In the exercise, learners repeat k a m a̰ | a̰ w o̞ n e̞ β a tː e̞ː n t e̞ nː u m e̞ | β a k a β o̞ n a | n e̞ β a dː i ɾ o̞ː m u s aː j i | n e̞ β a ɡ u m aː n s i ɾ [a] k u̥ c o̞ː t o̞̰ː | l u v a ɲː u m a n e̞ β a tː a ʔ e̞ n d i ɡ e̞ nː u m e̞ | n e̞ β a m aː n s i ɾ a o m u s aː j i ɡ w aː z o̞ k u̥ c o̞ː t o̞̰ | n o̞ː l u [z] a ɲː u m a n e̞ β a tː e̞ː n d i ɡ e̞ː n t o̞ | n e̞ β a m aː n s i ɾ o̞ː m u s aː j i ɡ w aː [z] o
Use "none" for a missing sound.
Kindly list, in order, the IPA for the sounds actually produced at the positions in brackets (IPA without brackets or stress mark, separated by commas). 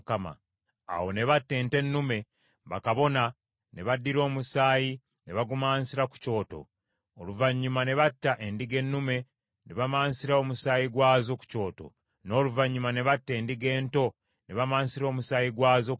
a, v, z